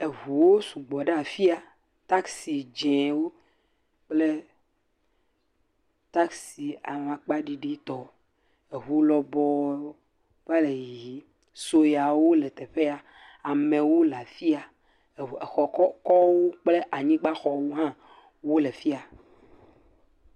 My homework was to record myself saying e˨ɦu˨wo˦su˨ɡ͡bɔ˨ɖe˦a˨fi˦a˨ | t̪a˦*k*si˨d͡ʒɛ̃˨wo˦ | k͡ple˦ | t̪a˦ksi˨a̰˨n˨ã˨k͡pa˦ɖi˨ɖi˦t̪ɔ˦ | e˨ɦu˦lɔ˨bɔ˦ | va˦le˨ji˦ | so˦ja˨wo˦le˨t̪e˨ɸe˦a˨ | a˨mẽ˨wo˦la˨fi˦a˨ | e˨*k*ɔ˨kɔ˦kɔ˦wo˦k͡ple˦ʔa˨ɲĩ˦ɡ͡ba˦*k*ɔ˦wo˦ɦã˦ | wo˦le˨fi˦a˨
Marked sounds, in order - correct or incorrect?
correct, incorrect: x, incorrect: x

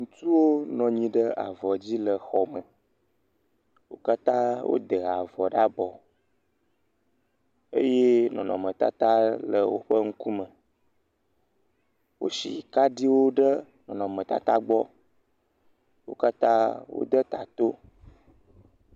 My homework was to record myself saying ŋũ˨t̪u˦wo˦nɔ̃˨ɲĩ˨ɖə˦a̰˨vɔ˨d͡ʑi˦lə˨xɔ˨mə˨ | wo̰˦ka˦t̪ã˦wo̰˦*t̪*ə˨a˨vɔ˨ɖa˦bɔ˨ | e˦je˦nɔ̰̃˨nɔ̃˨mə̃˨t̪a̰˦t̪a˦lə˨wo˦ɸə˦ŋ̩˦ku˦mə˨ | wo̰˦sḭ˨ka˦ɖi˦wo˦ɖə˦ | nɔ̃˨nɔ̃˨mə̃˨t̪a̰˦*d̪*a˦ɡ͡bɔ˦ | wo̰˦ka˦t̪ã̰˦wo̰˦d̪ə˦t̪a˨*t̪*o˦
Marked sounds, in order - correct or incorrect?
incorrect: d̪, incorrect: t̪, correct

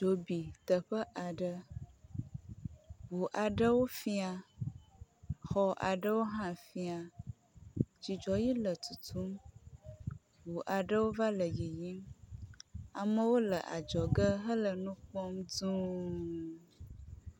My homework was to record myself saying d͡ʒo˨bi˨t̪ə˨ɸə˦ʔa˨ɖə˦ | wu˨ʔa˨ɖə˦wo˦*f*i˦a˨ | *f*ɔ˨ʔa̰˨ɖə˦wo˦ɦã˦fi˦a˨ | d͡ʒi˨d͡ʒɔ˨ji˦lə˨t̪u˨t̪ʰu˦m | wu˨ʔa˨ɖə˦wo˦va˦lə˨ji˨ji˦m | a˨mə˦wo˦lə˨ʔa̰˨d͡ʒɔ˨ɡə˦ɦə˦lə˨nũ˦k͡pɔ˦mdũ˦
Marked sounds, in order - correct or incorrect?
correct, incorrect: x

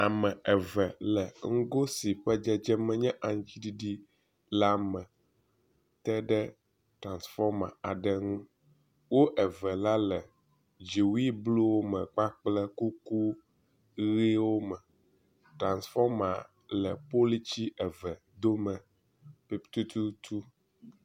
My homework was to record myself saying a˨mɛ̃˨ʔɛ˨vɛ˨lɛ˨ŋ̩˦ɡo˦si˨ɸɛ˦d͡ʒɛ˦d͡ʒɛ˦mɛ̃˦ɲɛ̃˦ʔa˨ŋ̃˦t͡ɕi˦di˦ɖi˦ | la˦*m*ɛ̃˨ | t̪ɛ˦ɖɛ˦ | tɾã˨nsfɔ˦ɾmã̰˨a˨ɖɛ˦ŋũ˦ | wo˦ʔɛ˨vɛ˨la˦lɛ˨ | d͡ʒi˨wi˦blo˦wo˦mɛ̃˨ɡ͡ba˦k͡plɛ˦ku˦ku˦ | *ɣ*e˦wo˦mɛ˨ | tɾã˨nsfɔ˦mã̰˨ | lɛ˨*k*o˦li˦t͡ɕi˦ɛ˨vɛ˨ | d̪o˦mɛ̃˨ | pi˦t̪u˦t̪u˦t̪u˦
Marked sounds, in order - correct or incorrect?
correct, correct, incorrect: p

